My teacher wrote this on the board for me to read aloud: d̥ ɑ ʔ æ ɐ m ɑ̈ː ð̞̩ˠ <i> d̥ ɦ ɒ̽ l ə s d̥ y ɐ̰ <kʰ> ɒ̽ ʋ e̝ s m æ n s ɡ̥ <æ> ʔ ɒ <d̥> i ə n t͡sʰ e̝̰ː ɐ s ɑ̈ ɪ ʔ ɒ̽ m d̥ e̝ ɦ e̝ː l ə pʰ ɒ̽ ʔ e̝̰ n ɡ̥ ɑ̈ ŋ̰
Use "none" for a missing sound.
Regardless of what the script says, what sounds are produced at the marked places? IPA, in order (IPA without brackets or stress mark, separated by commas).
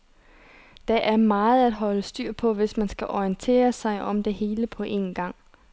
æ, pʰ, æ, none